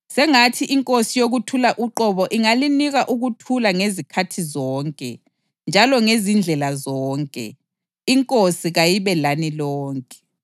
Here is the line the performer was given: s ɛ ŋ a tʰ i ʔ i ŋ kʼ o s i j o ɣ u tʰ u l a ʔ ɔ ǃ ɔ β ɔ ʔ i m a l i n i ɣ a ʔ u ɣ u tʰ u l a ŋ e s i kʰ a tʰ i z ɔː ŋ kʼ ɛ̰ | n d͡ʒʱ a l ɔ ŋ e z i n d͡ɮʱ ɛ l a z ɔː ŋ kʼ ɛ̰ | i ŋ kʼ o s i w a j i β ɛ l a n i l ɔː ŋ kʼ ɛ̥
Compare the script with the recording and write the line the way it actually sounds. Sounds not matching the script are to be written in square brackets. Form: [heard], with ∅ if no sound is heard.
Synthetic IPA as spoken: s ɛ ŋ a tʰ i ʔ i ŋ kʼ o s i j o ɣ u tʰ u l a ʔ [u] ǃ ɔ β ɔ ʔ i [ŋ] a l i n i ɣ a ʔ u ɣ u tʰ u l a ŋ e [z] i kʰ a tʰ i z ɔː ŋ kʼ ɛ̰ | n d͡ʒʱ a l ɔ ŋ e z i n d͡ɮʱ ɛ l a z ɔː ŋ kʼ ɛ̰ | i ŋ kʼ o s i [ɣ] a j i β ɛ l a n i l ɔː ŋ kʼ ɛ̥

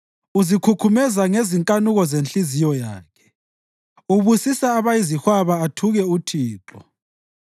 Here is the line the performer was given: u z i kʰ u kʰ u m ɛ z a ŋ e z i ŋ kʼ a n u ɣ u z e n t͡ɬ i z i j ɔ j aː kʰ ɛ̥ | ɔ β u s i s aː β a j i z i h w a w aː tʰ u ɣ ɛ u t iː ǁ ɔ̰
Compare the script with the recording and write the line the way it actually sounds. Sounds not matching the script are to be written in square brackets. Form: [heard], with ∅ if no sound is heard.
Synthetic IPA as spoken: u z i kʰ u kʰ u m ɛ z a ŋ e z i ŋ kʼ a n u ɣ [ɔ] z e n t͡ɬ i z i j ɔ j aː kʰ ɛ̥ | [u] β u s i s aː β a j i z i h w a [β] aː tʰ u ɣ ɛ u [tʰ] iː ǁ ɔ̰

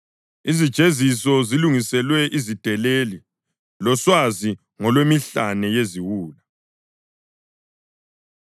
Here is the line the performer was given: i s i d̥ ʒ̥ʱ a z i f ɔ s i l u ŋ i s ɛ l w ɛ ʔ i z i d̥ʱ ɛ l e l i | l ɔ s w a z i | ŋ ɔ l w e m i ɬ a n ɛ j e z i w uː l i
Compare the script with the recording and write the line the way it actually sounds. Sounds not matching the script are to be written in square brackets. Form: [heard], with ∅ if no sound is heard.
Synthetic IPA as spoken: i [z] i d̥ ʒ̥ʱ [e] z i [s] ɔ [z] i l u ŋ i s ɛ l w ɛ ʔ i z i d̥ʱ ɛ l e l i | l ɔ s w a z i | ŋ ɔ l w e m i ɬ a n ɛ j e z i w uː l [a]

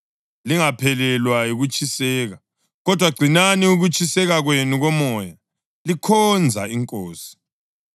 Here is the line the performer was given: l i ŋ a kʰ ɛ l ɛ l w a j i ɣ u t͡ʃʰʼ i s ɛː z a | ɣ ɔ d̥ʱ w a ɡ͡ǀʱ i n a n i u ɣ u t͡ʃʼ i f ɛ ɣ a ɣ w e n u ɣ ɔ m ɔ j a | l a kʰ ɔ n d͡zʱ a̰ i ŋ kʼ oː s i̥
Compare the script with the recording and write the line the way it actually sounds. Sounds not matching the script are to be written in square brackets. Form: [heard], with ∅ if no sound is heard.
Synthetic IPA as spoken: l i ŋ a [pʰ] ɛ l ɛ l w a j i ɣ u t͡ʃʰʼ i s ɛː [ɣ] a | ɣ ɔ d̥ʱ w a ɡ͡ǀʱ i n a n i u ɣ u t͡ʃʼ i [s] ɛ ɣ a ɣ w e n u ɣ ɔ m ɔ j a | l [i] kʰ ɔ n d͡zʱ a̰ i ŋ kʼ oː s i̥

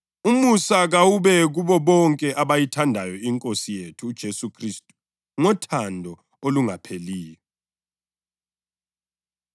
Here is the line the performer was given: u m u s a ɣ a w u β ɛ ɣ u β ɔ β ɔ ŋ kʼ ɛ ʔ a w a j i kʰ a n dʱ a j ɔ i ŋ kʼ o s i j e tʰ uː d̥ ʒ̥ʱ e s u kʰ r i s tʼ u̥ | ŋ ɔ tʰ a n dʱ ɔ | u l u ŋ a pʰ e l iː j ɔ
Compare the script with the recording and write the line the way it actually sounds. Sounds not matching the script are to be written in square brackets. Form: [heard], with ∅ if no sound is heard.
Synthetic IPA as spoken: u m u s a ɣ a w u β ɛ ɣ u β ɔ β ɔ ŋ kʼ ɛ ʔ a [β] a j i [tʰ] a n dʱ a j ɔ i ŋ kʼ o s i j e tʰ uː d̥ ʒ̥ʱ e s u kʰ r i s tʼ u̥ | ŋ ɔ tʰ a n dʱ ɔ | [o] l u ŋ a pʰ e l iː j ɔ

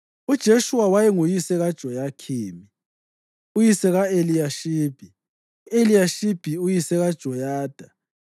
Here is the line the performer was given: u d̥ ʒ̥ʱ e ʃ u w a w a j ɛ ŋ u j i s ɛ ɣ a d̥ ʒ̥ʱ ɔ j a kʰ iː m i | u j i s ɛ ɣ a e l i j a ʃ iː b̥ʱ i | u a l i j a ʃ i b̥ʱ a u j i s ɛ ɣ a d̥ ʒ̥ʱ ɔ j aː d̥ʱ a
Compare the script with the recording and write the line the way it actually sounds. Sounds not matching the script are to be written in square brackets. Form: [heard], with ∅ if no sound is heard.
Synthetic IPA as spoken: u d̥ ʒ̥ʱ e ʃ u w a w a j ɛ ŋ u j i s ɛ ɣ a d̥ ʒ̥ʱ ɔ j a kʰ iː m i | u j i s ɛ ɣ a e l i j a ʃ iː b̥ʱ i | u [e] l i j a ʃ i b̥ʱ [i] u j i s ɛ ɣ a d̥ ʒ̥ʱ ɔ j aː d̥ʱ a

